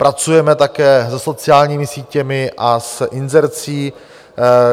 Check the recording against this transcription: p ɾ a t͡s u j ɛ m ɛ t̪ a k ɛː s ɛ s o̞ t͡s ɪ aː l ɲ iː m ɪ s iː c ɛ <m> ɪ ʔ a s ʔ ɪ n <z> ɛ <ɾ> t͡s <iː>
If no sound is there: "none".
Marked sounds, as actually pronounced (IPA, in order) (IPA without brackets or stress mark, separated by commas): m, z, ɾ, iː